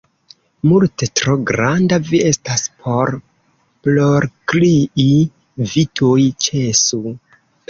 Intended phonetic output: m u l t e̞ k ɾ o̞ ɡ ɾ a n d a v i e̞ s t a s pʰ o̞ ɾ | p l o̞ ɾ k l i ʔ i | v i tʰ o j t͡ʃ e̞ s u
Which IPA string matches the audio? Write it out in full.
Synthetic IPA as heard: m u l t e̞ t ɾ o̞ ɡ ɾ a n d a v i e̞ s t a s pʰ o̞ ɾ | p l o̞ ɾ k l i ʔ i | v i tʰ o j t͡ʃ e̞ s u